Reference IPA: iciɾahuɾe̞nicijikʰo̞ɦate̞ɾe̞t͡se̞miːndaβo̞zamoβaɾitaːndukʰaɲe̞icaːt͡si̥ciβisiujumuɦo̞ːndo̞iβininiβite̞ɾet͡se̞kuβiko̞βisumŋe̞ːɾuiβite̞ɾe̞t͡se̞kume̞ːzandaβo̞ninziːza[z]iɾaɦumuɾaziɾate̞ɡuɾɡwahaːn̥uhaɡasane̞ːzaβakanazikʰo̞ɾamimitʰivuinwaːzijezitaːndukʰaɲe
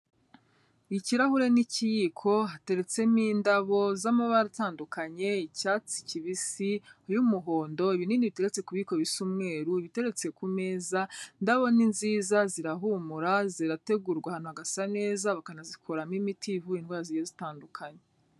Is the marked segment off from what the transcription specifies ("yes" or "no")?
no